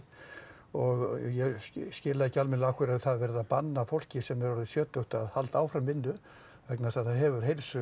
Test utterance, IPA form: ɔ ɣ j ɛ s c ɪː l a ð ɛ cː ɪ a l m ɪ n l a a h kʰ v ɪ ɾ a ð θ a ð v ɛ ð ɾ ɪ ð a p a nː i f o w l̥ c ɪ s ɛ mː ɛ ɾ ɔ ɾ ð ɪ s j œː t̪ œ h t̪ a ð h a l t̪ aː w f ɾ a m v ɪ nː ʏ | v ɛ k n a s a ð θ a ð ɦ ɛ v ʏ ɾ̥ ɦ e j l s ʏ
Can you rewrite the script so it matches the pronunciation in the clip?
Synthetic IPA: ɔ ɣ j ɛ s c ɪː l a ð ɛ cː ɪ a l m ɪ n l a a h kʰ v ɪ ɾ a ð θ a ð v ɛ ɾ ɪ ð a p a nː a f o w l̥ c ɪ s ɛ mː ɛ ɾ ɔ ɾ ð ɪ s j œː t̪ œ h t̪ a ð h a l t̪ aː w f ɾ a m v ɪ nː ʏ | v ɛ k n a s a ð θ a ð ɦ ɛ v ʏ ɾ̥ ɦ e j l s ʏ